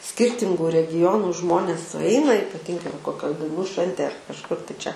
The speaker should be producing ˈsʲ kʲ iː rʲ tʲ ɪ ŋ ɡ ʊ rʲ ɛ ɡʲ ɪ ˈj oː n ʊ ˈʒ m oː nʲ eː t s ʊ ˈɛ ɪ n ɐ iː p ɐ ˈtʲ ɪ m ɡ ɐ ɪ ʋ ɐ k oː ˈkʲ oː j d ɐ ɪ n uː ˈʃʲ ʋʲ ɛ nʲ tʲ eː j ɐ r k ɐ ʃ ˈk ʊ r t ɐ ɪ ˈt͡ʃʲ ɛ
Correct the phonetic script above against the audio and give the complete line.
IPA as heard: ˈsʲ kʲ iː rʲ tʲ ɪ ŋ ɡ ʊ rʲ ɛ ɡʲ ɪ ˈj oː n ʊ ˈʒ m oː nʲ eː s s ʊ ˈɛ ɪ n ɐ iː p ɐ ˈtʲ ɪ ŋ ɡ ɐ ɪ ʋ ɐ k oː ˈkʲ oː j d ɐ ɪ n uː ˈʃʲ ʋʲ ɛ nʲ tʲ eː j ɐ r k ɐ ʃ ˈk ʊ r t ɐ ɪ ˈt͡ʃʲ ɛ